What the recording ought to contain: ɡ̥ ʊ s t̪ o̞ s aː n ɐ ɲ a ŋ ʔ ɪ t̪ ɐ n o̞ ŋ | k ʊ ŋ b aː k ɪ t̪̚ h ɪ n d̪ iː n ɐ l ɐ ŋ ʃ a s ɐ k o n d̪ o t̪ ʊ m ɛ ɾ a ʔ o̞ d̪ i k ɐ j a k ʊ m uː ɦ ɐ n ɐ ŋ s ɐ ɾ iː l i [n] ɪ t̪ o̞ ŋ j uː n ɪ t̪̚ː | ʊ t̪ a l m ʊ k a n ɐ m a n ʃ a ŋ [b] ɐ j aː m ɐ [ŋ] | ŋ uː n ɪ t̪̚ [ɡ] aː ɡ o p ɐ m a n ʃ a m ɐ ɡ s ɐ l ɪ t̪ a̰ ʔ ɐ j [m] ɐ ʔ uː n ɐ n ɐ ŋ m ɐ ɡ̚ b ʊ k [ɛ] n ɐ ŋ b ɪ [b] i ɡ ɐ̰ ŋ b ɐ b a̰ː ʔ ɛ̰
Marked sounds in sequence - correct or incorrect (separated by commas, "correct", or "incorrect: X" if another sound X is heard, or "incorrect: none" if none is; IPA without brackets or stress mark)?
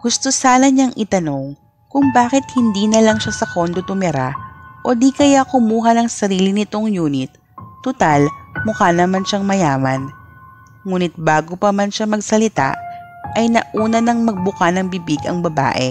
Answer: correct, incorrect: m, incorrect: n, incorrect: b, incorrect: n, incorrect: a, correct